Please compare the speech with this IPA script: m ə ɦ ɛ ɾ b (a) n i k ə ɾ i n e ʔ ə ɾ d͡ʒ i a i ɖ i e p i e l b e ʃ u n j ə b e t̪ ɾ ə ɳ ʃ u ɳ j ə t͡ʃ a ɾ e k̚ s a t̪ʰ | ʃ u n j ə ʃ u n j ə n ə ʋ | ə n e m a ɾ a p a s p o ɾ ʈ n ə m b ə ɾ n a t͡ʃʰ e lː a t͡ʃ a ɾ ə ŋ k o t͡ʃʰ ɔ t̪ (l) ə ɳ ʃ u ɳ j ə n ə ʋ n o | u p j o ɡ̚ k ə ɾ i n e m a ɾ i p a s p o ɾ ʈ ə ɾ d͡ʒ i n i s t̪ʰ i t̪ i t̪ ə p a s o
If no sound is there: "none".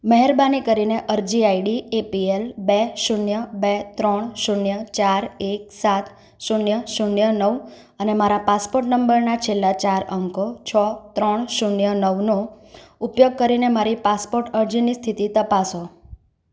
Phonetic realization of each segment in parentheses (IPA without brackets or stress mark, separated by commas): a, ɾ